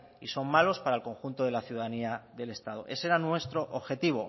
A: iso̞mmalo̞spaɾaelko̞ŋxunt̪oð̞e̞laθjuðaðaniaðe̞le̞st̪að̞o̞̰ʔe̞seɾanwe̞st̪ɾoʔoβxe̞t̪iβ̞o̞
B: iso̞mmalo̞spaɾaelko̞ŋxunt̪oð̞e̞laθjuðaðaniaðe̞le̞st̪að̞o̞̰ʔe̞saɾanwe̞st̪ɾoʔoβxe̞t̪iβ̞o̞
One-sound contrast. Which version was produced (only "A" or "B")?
A